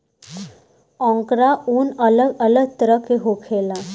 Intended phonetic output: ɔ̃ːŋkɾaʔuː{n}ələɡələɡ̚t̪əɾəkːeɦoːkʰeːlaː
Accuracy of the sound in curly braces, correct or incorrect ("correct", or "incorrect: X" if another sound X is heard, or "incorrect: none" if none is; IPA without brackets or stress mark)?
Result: correct